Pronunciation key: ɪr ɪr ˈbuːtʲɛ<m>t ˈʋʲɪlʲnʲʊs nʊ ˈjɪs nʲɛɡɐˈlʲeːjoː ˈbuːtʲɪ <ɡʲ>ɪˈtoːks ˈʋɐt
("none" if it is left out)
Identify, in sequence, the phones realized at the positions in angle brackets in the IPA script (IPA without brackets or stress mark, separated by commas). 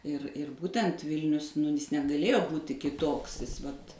n, kʲ